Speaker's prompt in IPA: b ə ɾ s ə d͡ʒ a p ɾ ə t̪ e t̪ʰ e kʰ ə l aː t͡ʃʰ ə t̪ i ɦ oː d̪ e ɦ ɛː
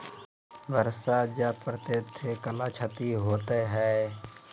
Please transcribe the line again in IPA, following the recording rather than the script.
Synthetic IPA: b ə ɾ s a d͡ʒ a p ɾ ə t̪ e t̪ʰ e k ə l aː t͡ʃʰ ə t̪ i ɦ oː t̪ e ɦ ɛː